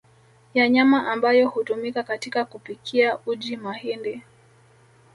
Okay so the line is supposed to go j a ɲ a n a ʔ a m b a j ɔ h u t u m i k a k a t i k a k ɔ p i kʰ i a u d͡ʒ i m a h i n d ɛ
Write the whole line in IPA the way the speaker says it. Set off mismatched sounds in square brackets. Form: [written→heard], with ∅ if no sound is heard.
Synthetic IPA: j a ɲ a [n→m] a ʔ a m b a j ɔ h u t u m i k a k a t i k a k [ɔ→u] p i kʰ i a u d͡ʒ i m a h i n d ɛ